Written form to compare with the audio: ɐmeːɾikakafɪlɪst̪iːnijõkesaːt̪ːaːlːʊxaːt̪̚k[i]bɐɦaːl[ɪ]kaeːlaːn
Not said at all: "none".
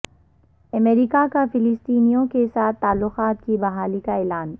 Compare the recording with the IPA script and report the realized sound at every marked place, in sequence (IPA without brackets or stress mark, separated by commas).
i, i